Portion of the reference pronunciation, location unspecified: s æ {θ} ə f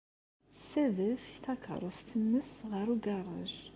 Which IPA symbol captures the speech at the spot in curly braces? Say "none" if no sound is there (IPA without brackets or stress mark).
ð